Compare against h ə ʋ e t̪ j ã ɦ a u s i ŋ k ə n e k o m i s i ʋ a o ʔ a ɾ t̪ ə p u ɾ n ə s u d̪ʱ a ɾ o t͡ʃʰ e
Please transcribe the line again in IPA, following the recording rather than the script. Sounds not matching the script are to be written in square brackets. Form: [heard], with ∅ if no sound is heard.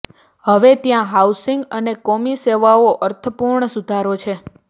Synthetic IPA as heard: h ə ʋ e t̪ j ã ɦ a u s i ŋ [ɡ] ə n e k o m i s [e] ʋ a o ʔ [ə] ɾ [t̪ʰ] ə p u ɾ [ɳ] ə s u d̪ʱ a ɾ o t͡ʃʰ e